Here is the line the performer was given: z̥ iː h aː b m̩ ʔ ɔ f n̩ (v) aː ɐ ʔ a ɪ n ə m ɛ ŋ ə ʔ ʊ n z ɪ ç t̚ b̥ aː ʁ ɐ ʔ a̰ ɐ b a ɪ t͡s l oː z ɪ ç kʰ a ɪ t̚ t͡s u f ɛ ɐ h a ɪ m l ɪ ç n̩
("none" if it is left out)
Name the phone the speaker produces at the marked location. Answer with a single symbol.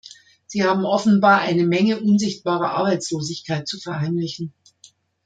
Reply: b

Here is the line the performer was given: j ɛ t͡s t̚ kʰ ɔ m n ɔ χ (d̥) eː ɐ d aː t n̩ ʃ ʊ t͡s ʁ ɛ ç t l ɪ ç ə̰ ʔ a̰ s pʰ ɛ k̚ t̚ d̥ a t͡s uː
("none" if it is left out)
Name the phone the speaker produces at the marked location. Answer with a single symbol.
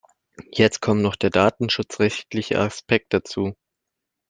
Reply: d̥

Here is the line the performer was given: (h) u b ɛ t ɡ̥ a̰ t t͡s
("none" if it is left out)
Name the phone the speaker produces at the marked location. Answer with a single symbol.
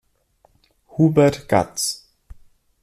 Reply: h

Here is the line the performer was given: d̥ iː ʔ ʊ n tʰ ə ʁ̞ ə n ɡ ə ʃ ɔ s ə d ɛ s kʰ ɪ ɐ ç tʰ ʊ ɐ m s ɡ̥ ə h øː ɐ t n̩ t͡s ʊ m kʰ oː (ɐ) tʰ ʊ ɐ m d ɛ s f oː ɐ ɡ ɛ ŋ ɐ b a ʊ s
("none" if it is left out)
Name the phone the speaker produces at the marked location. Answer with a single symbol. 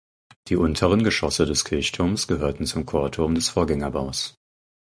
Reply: ɐ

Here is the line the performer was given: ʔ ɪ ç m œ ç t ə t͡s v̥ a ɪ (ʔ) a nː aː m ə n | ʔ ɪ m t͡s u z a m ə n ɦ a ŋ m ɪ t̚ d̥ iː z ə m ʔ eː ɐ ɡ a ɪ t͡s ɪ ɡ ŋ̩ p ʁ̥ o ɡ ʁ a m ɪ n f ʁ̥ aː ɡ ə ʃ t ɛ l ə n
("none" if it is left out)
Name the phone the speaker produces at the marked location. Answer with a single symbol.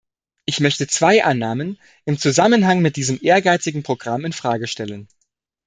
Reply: ʔ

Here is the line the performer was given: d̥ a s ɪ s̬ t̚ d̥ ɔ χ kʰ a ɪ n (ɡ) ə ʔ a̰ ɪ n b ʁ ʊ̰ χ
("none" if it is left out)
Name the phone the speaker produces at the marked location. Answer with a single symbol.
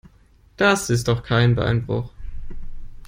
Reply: b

